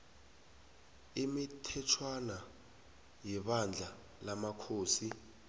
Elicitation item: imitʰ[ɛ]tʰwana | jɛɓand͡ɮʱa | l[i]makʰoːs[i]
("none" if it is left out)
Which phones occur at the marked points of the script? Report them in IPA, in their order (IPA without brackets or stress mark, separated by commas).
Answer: ɛ, a, i